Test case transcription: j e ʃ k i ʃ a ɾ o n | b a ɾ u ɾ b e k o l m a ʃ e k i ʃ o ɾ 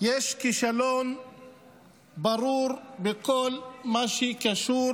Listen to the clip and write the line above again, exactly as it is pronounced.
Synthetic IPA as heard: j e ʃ k i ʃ a l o n | b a ɾ u ɾ b e k o l m a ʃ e k a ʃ u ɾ